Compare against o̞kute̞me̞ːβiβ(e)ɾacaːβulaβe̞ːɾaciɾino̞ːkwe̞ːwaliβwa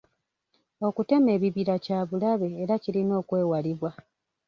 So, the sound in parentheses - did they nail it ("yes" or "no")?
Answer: no